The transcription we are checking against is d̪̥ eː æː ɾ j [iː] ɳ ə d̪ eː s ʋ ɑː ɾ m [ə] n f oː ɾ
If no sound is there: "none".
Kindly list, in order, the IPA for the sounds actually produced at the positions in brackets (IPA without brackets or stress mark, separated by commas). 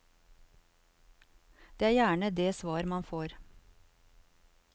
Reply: æː, ɑ